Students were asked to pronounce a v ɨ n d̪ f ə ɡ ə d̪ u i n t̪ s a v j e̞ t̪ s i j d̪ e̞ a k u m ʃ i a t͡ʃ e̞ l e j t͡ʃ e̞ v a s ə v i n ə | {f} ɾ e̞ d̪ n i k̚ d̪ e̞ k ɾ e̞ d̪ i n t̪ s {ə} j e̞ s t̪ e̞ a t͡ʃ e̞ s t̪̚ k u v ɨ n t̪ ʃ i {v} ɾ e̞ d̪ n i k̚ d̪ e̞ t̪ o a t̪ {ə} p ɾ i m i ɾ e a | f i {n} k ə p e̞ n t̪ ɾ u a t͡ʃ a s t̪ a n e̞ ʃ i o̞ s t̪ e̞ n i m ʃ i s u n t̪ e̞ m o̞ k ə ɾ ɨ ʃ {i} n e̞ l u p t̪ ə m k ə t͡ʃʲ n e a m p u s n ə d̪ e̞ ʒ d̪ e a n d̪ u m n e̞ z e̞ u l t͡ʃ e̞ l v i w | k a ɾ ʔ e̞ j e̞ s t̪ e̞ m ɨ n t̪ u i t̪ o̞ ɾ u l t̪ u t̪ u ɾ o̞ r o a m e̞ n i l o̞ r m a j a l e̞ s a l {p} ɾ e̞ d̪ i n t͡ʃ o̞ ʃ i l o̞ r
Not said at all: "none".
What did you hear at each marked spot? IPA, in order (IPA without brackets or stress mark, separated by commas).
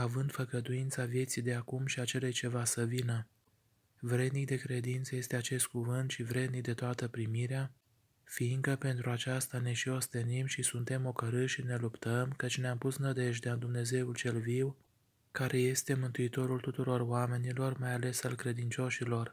v, ə, v, ə, ŋ, i, k